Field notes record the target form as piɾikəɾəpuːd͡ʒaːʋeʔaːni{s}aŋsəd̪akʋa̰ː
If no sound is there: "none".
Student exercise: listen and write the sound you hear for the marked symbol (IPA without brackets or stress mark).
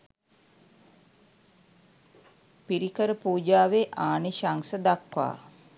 ʃ